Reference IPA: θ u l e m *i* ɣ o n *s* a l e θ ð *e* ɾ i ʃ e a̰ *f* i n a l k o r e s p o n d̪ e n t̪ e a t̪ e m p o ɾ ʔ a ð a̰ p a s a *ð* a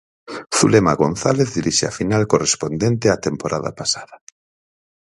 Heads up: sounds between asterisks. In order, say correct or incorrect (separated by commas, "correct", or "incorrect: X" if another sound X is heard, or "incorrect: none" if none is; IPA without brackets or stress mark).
incorrect: a, incorrect: θ, incorrect: i, correct, correct